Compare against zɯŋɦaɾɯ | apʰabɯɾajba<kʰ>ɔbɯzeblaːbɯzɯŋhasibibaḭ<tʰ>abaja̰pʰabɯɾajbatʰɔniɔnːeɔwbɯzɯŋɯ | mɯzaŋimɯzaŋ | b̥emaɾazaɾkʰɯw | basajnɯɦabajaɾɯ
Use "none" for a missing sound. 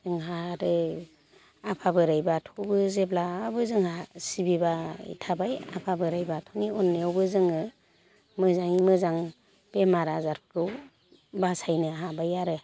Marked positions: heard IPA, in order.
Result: tʰ, tʰ

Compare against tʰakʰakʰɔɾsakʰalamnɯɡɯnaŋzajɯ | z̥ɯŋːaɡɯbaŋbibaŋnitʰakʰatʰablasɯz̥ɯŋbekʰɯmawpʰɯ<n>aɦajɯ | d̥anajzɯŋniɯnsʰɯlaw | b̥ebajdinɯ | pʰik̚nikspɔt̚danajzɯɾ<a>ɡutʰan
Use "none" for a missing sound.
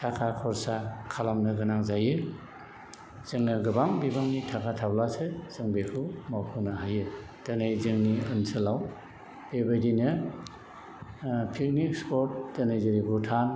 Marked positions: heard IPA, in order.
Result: n, i

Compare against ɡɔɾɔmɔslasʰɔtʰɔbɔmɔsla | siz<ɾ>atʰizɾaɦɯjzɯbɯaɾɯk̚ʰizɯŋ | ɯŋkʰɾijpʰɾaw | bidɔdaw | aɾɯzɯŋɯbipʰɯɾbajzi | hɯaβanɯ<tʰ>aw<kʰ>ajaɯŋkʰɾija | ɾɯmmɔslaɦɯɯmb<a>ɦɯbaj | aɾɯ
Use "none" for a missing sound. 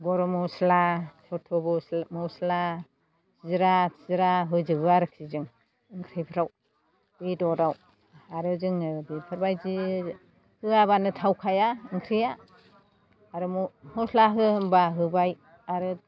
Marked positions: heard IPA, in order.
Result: ɾ, tʰ, kʰ, a

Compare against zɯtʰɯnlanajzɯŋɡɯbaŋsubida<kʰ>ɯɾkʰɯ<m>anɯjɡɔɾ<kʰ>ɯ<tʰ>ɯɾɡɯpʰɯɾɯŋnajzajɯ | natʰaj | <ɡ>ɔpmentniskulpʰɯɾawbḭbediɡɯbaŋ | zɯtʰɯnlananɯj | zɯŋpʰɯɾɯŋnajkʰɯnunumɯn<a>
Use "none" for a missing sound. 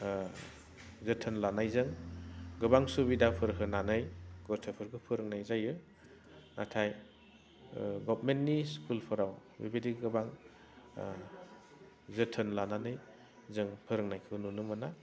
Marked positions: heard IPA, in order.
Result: pʰ, n, tʰ, pʰ, ɡ, a

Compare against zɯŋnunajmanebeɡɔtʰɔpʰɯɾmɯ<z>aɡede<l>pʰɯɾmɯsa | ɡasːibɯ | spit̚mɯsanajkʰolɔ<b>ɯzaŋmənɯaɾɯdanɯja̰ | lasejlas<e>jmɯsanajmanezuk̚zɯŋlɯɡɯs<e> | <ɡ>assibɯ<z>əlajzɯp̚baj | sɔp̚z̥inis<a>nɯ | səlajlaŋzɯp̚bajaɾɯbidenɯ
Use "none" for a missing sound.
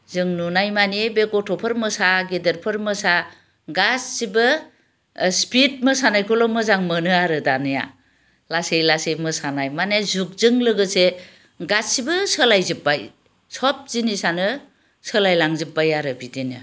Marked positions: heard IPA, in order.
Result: s, ɾ, m, e, e, ɡ, s, a

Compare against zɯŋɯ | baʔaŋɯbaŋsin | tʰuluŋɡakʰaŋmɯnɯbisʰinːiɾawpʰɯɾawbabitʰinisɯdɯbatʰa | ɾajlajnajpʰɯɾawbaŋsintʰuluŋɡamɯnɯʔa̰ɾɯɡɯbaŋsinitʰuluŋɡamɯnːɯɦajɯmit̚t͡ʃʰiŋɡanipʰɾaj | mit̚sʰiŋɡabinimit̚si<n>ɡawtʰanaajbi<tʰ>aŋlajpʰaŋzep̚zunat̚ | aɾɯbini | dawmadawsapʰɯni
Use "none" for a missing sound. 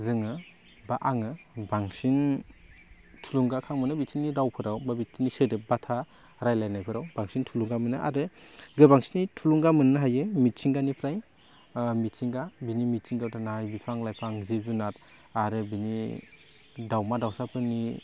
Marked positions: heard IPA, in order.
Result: ŋ, pʰ

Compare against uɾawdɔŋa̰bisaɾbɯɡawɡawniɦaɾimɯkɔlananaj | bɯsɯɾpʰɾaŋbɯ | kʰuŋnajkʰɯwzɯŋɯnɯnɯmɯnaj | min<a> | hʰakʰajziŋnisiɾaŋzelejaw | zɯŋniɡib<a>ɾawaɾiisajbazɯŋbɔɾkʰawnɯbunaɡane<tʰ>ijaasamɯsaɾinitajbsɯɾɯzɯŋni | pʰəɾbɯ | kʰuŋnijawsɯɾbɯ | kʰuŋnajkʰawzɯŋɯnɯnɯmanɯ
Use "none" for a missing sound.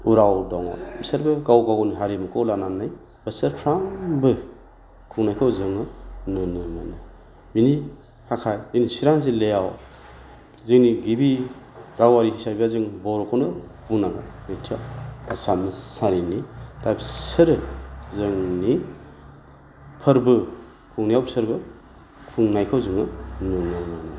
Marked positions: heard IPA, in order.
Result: i, i, tʰ

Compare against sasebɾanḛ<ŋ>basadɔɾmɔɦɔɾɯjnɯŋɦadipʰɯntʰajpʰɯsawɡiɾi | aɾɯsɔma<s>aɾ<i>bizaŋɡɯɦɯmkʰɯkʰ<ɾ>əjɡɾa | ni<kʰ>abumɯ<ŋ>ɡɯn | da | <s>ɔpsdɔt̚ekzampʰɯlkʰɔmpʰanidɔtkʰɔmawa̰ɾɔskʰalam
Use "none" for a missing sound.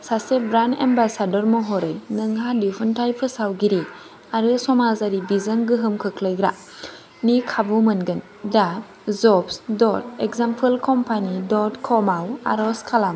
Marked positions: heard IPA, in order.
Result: m, z, i, l, kʰ, n, z

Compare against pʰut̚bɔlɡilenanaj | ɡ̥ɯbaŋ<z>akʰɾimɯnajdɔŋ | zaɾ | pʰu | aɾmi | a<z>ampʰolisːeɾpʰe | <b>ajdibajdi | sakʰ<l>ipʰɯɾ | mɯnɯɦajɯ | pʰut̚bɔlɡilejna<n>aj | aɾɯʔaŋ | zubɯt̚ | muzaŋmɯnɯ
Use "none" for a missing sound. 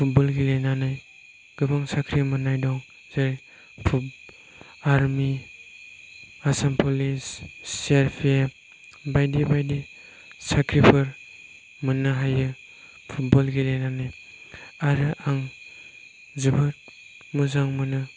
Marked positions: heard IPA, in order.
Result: s, s, b, ɾ, n

